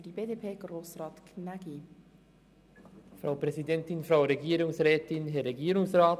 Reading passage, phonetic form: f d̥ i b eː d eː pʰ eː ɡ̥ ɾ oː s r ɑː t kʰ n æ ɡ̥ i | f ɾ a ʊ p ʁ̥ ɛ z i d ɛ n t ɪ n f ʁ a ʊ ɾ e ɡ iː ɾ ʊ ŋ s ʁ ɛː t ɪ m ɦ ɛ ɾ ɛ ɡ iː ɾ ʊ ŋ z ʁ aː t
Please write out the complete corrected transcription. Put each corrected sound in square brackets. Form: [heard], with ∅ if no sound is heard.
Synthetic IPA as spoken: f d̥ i b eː d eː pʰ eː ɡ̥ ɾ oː s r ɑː t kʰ n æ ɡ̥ i | f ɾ a ʊ p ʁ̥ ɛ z i d ɛ n t ɪ n f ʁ a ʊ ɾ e ɡ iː ɾ ʊ ŋ s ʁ ɛː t ɪ [n] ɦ ɛ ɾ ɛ ɡ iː ɾ ʊ ŋ [s] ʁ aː t